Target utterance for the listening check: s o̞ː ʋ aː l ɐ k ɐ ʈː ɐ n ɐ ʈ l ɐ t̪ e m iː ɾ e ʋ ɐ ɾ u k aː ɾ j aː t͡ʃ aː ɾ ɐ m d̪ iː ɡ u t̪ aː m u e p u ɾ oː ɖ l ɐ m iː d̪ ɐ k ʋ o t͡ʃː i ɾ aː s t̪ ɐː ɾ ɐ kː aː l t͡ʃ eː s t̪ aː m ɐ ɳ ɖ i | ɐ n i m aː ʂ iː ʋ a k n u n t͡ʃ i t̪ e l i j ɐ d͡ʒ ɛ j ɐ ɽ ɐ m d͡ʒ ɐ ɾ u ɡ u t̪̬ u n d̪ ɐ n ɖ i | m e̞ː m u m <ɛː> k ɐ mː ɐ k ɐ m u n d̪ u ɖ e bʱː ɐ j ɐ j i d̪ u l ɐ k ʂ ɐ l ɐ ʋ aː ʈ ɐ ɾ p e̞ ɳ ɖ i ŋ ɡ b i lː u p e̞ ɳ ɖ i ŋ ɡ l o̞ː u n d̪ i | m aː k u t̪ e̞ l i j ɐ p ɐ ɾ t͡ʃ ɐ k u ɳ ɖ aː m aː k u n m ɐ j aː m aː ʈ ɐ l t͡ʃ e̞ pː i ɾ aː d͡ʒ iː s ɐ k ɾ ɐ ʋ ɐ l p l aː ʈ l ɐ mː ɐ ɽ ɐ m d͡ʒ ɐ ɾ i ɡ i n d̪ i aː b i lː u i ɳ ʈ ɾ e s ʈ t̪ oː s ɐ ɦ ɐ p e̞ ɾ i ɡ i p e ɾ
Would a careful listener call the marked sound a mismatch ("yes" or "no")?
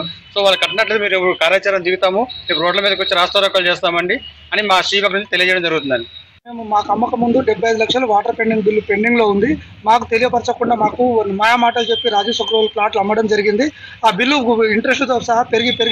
yes